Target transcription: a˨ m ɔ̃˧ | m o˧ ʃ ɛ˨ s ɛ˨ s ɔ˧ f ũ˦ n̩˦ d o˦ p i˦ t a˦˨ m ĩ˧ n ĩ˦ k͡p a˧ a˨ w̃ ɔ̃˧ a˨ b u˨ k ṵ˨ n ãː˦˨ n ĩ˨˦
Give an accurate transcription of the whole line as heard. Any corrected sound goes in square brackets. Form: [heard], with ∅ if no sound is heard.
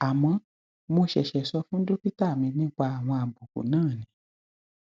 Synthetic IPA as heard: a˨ m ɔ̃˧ | m o˧ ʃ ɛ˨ [ʃ] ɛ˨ s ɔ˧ f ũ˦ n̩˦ d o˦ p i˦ t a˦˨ m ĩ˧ n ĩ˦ k͡p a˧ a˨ w̃ ɔ̃˧ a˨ b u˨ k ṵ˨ n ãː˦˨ n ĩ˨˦